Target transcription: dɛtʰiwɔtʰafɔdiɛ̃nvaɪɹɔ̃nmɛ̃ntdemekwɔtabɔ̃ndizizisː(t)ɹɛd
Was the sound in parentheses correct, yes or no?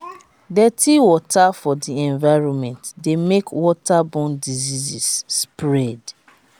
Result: no